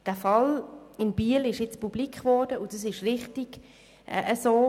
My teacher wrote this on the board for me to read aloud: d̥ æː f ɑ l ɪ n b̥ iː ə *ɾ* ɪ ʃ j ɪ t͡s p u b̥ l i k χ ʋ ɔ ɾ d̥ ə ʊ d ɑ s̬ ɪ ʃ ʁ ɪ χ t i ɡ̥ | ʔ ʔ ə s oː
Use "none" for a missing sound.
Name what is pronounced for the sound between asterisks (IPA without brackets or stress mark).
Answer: l